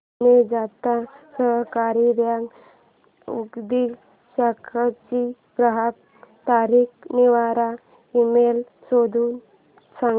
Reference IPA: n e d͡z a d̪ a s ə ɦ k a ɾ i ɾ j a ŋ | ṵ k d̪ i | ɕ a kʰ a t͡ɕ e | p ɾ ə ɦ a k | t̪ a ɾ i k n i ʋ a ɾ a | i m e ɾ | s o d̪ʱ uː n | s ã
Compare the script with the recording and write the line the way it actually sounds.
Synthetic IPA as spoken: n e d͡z a t̪ a s ə ɦ k a ɾ i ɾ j a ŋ | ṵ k d̪ i | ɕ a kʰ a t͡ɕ i | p ɾ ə ɦ a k | t̪ a ɾ i k n i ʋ a ɾ a | i m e l | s o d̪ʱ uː n | s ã